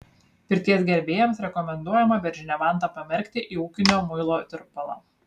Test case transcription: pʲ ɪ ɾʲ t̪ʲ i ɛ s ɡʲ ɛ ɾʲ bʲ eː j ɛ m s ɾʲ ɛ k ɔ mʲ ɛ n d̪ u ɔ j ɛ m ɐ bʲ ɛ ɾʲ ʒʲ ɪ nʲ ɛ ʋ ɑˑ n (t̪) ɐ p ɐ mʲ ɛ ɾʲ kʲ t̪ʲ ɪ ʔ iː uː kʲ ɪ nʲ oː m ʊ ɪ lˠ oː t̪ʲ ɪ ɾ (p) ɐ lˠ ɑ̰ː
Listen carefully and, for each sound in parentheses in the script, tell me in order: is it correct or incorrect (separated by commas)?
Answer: correct, correct